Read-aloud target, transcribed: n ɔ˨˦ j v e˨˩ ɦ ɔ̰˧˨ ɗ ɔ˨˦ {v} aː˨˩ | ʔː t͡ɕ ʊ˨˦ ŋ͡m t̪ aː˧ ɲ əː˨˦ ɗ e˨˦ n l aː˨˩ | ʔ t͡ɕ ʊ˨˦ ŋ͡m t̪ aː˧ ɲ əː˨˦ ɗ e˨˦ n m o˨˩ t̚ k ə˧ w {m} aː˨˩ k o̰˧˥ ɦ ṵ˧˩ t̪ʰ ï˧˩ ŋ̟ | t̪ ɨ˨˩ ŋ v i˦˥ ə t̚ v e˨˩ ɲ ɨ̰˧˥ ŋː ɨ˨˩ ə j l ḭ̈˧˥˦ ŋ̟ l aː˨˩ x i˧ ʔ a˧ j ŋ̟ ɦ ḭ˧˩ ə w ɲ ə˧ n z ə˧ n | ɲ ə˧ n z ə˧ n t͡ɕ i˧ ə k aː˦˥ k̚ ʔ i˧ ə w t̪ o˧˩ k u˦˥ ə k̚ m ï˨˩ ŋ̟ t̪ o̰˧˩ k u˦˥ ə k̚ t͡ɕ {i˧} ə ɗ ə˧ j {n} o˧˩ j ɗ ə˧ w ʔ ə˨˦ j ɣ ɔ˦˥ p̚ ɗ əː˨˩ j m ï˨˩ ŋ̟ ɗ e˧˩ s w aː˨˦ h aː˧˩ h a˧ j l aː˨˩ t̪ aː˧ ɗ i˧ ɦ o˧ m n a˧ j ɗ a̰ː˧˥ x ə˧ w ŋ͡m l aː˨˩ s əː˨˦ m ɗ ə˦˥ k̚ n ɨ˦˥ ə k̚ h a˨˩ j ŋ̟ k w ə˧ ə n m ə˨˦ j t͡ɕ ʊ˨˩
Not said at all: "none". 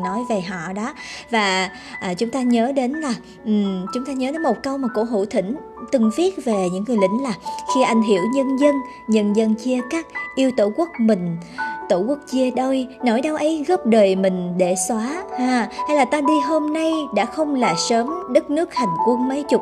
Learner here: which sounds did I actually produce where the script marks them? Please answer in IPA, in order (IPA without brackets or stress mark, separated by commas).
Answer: v, m, i˧, n